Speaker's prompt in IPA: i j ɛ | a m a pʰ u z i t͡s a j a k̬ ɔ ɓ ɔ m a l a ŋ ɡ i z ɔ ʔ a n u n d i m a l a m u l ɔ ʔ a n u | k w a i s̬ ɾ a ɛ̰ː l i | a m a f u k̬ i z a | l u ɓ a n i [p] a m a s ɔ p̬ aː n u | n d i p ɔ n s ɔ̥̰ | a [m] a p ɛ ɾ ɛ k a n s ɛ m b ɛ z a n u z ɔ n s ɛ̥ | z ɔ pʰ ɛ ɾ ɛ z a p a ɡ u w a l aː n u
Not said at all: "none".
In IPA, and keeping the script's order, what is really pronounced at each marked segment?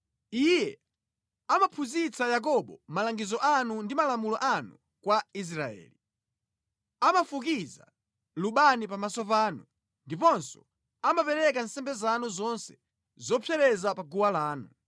p, m

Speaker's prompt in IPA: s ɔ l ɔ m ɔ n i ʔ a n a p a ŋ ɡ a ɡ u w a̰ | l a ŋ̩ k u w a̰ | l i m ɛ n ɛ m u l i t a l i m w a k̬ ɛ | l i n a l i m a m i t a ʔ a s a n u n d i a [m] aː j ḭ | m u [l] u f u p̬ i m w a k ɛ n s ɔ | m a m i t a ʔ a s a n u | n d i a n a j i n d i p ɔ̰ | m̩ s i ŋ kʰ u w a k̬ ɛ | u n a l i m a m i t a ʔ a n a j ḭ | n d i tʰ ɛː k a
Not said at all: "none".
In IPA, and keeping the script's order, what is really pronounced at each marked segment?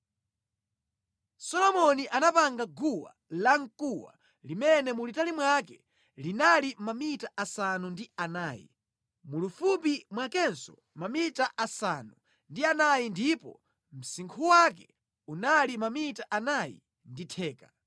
n, l

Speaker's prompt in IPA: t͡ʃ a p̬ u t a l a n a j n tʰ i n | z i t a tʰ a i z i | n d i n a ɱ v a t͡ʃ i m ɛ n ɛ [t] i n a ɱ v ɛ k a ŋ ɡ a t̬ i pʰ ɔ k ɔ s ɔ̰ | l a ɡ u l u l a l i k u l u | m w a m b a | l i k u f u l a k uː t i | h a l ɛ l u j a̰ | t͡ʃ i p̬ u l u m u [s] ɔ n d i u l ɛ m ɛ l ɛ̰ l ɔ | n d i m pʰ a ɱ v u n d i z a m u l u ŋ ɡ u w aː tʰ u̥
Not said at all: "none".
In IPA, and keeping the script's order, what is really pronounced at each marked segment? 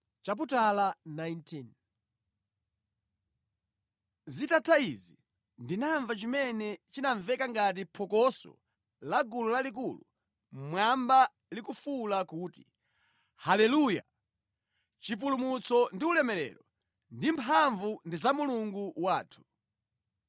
t͡ʃ, t͡s

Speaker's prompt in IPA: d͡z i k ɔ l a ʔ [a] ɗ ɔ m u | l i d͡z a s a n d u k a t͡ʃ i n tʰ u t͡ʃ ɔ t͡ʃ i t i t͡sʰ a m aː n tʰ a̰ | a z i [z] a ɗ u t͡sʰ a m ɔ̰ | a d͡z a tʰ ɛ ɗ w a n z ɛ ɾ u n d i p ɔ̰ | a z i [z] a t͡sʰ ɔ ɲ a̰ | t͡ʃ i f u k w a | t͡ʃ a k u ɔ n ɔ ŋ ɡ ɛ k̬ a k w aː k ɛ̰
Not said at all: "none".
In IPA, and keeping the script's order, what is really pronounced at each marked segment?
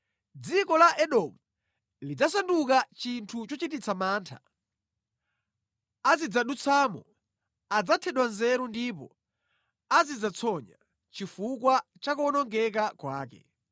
ɛ, d͡z, d͡z

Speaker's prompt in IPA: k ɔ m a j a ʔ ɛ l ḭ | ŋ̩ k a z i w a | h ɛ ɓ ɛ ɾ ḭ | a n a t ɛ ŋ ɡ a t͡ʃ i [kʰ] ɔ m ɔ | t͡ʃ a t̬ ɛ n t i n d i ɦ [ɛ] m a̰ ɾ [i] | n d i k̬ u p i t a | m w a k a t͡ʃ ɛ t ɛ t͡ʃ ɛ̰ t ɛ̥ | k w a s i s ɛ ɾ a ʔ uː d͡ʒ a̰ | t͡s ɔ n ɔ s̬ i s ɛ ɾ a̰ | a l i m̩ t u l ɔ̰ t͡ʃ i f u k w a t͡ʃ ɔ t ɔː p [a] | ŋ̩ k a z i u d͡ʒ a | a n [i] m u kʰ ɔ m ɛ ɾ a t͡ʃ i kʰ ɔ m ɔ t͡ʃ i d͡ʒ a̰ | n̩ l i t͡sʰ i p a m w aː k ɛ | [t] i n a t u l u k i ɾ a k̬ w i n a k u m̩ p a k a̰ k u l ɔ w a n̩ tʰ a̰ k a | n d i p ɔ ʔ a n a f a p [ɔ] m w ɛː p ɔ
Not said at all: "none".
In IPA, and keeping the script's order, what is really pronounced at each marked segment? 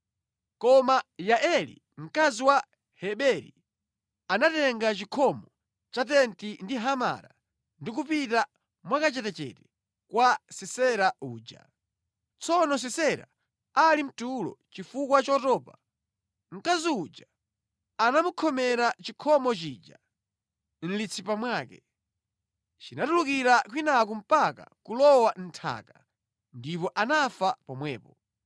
kʰ, a, a, a, a, t͡ʃ, ɔ

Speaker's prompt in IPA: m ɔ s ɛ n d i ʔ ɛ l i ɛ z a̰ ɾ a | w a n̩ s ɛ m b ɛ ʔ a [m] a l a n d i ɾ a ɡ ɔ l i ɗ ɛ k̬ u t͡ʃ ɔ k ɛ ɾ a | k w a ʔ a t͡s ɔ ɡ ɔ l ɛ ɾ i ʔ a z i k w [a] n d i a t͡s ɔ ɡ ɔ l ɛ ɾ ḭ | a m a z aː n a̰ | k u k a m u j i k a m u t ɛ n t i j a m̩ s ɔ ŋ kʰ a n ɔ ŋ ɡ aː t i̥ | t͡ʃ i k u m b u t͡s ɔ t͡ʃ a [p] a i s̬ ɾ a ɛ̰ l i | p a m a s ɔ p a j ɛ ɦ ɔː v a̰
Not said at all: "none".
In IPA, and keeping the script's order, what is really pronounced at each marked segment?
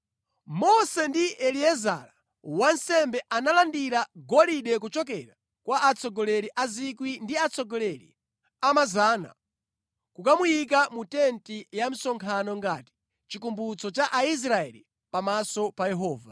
n, i, ʔ

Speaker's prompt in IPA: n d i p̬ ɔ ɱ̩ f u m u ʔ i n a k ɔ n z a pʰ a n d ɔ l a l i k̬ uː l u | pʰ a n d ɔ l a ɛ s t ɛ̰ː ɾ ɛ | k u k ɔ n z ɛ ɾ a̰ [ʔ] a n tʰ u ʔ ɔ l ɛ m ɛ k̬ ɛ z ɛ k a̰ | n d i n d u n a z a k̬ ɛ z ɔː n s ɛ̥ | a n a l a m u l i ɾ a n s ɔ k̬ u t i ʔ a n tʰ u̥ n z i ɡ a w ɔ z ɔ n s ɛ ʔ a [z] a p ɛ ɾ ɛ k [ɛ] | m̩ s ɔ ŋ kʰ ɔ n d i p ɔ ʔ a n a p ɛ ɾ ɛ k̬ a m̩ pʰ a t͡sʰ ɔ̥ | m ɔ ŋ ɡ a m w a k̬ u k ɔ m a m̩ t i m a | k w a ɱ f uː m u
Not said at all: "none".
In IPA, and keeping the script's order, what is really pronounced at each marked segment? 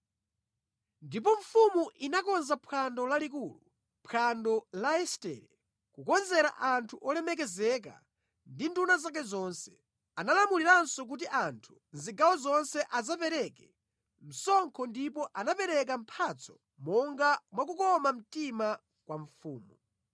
ʔ, z, ɛ

